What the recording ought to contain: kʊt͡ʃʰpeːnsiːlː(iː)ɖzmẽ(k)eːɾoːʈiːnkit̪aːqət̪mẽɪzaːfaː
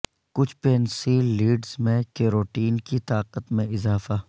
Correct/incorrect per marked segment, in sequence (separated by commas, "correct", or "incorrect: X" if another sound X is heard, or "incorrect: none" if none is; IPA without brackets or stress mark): correct, correct